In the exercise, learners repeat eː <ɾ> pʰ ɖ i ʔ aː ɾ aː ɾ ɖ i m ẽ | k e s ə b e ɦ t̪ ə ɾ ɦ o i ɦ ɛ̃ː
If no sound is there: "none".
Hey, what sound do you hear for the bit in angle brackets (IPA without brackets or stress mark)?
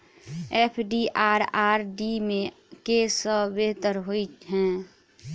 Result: none